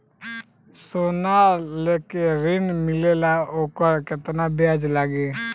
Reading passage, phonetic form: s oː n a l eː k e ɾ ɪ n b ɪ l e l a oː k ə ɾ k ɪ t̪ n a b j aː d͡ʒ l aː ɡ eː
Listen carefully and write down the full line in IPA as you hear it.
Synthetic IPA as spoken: s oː n a l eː k e ɾ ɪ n m ɪ l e l a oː k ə ɾ k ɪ t̪ n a b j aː d͡ʒ l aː ɡ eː